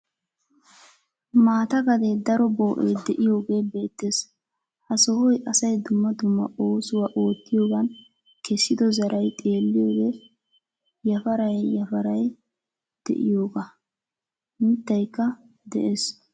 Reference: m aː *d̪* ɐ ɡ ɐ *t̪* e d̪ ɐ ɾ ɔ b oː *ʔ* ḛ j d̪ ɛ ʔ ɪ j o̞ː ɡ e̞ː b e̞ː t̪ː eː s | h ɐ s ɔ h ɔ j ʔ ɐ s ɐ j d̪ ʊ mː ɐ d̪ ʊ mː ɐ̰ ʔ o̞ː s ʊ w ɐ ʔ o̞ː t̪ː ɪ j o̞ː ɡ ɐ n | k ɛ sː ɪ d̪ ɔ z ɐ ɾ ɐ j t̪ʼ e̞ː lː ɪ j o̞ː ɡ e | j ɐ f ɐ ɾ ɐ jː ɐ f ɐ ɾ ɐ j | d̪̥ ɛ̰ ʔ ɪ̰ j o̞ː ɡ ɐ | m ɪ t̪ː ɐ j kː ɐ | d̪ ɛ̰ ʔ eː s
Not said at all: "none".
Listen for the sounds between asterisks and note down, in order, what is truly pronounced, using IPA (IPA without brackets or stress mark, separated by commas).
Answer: t̪, d̪, ʔ